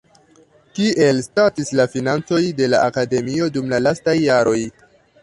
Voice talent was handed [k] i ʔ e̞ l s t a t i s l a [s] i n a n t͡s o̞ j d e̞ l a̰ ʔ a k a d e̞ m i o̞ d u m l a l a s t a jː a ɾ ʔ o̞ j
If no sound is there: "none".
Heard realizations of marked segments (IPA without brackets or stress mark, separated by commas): k, f